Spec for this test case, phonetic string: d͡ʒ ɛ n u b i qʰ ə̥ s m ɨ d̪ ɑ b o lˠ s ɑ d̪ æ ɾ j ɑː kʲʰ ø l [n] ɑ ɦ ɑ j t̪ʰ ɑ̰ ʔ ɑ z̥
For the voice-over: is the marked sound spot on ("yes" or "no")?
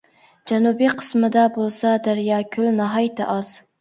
yes